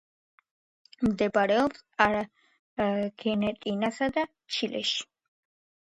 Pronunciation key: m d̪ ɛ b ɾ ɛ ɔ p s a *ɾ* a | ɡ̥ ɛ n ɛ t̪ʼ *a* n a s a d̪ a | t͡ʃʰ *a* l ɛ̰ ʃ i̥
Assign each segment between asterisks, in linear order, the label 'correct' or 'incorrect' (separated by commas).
correct, incorrect, incorrect